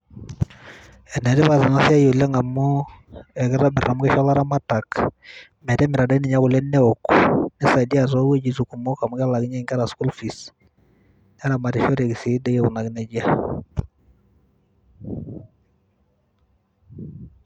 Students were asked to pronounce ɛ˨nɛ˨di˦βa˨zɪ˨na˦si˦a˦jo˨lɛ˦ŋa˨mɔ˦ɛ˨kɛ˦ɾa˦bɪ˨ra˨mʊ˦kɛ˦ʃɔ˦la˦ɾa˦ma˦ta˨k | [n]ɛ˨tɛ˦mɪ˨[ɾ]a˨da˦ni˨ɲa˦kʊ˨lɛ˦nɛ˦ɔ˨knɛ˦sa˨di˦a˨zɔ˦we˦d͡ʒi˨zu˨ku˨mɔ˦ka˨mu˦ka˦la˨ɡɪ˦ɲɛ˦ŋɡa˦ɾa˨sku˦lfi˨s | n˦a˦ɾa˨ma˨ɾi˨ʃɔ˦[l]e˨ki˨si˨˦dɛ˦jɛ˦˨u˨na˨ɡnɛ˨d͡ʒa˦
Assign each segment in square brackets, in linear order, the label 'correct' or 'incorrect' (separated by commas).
incorrect, correct, incorrect